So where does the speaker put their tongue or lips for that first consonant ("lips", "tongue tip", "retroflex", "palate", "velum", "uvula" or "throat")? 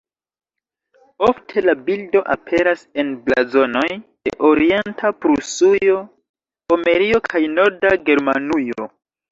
lips